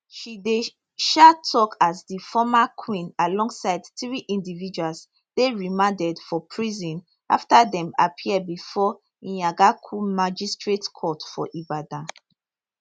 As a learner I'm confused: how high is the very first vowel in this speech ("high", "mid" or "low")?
high